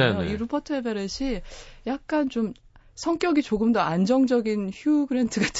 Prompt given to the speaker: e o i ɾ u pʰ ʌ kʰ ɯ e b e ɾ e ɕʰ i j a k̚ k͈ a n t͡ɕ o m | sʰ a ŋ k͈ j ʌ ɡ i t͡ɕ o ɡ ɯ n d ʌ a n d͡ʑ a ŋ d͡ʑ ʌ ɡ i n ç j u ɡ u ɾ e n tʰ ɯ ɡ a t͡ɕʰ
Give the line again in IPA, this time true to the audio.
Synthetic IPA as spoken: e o i ɾ u pʰ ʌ tʰ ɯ e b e ɾ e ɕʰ i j a k̚ k͈ a n t͡ɕ o m | sʰ ʌ ŋ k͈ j ʌ ɡ i t͡ɕ o ɡ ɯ m d ʌ a n d͡ʑ ʌ ŋ d͡ʑ ʌ ɡ i n ç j u ɡ ɯ ɾ e n tʰ ɯ ɡ a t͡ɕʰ